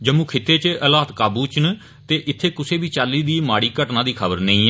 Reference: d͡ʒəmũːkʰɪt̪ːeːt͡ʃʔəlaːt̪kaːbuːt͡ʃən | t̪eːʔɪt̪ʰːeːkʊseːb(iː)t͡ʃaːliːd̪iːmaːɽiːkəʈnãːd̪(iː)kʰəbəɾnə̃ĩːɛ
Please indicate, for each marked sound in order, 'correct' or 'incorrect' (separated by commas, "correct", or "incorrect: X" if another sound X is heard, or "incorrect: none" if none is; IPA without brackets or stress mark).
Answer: correct, correct